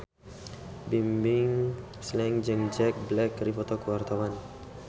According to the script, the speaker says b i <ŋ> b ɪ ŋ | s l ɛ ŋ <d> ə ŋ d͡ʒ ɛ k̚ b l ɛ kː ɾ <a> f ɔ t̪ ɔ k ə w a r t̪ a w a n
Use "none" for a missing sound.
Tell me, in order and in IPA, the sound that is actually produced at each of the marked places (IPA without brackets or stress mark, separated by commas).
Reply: m, d͡ʒ, i